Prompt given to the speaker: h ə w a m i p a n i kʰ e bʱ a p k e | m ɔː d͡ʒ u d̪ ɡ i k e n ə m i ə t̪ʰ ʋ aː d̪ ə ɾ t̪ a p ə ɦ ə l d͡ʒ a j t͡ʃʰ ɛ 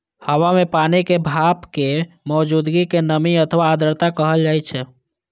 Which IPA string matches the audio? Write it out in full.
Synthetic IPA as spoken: h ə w a m e p a n i k e bʱ a p k e | m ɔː d͡ʒ u d̪ ɡ i k e n ə m i ə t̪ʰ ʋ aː d̪ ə ɾ t̪ a k ə ɦ ə l d͡ʒ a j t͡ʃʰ ɛ